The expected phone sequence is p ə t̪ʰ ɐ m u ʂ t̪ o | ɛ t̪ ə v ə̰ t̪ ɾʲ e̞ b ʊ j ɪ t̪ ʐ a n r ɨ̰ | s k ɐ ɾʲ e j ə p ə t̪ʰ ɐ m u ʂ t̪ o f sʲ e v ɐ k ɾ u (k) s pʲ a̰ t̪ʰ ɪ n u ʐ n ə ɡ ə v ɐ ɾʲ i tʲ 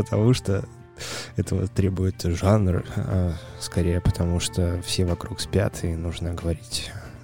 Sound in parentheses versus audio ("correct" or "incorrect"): correct